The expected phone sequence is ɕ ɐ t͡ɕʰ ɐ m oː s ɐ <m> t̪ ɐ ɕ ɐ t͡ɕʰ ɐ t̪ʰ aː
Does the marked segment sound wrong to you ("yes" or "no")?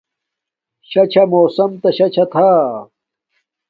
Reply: no